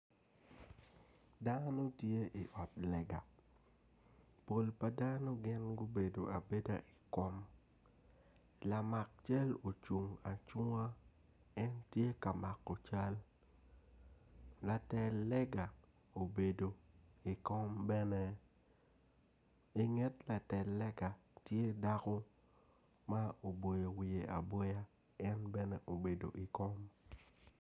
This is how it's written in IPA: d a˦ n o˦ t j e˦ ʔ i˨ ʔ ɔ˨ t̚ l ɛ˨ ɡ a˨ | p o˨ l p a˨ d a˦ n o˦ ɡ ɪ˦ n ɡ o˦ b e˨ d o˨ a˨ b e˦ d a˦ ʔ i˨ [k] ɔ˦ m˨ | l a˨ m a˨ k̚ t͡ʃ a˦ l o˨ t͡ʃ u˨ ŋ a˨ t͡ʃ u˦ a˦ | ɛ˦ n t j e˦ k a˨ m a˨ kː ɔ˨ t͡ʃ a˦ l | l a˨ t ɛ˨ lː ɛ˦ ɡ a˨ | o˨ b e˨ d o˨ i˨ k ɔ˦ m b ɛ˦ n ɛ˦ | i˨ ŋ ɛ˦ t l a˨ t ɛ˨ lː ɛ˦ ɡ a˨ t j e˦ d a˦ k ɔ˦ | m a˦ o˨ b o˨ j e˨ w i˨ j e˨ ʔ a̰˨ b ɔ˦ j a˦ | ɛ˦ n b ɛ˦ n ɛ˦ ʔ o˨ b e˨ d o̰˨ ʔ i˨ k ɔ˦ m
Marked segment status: correct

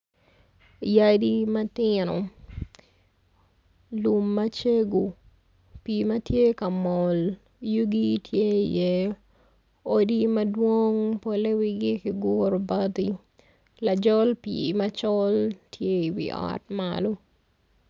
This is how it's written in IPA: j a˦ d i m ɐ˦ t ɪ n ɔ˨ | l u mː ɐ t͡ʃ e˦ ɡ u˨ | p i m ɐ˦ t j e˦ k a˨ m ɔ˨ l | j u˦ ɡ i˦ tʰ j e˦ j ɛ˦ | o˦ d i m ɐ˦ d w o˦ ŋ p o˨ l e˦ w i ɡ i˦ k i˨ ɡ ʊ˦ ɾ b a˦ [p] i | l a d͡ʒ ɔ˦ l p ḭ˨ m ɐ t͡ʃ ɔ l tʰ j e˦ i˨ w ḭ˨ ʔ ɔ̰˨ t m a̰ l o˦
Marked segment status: incorrect: t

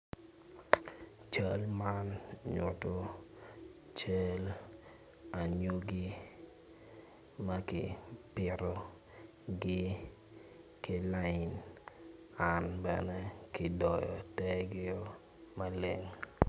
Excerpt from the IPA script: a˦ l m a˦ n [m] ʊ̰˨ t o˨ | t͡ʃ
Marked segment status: incorrect: ɲ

